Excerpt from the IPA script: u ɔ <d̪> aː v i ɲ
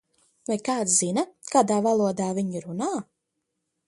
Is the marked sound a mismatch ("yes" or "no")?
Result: no